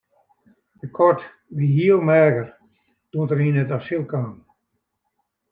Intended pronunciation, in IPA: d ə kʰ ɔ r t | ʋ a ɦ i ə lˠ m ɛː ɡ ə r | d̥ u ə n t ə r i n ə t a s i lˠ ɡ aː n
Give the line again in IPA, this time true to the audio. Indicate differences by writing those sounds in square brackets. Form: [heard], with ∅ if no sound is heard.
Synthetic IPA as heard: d ə kʰ ɔ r t | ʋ [i] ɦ i ə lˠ m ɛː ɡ ə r | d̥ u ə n t ə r i n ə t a s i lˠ [k] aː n